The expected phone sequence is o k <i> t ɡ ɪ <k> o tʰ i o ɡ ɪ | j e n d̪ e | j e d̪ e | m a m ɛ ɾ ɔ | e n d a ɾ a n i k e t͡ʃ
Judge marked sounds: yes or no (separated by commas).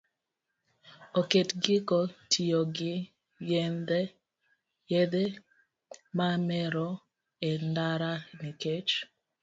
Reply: no, yes